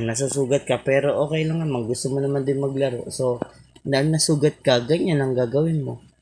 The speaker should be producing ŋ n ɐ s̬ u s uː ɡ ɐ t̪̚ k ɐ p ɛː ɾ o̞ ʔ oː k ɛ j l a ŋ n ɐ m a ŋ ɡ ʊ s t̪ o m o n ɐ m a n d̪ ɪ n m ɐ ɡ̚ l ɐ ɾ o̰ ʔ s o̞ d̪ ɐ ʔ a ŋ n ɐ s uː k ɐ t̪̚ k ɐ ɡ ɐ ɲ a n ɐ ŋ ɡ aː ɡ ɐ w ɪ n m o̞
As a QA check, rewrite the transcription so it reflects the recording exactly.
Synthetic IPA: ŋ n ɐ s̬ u s uː ɡ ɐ t̪̚ k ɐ p ɛː ɾ o̞ ʔ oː k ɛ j l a ŋ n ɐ m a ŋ ɡ ʊ s t̪ o m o n ɐ m a n d̪ ɪ n m ɐ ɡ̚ l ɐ ɾ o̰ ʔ s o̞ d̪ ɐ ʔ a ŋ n ɐ s uː ɡ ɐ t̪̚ k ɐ ɡ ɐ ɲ a n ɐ ŋ ɡ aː ɡ ɐ w ɪ n m o̞